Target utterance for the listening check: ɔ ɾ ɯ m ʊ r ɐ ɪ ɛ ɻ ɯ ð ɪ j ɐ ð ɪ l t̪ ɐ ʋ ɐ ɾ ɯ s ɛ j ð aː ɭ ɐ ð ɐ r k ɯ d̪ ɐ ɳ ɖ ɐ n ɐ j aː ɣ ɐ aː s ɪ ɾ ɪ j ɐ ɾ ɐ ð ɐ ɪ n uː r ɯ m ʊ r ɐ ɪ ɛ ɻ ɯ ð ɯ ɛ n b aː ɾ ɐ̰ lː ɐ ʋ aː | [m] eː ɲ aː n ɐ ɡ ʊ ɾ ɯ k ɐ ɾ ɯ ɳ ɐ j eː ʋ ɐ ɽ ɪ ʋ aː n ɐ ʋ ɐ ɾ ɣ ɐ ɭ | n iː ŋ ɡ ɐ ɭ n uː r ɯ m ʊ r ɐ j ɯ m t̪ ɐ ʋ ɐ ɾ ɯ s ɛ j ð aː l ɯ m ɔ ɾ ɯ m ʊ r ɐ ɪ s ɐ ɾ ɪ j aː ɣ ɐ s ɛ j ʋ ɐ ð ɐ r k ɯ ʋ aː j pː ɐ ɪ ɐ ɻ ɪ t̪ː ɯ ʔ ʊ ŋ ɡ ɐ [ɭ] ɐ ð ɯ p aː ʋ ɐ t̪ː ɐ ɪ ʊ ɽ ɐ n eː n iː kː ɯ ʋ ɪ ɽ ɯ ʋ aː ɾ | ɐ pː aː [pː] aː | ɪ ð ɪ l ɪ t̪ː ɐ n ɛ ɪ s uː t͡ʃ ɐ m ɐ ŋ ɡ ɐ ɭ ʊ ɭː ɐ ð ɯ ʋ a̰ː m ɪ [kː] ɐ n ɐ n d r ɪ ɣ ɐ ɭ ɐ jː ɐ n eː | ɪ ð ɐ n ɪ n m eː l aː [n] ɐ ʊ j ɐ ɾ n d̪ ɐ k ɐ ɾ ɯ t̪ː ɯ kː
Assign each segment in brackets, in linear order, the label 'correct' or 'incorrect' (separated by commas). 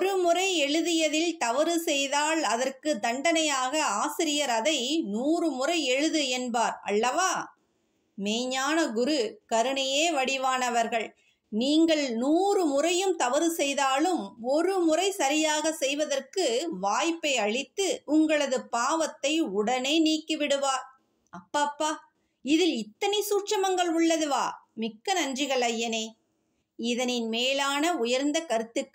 correct, correct, correct, correct, correct